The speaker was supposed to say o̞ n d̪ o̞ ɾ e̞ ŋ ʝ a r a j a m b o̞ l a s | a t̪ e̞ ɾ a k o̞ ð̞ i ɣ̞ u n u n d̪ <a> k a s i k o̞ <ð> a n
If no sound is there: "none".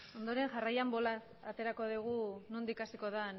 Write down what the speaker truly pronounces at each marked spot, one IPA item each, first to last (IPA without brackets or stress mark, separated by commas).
i, ð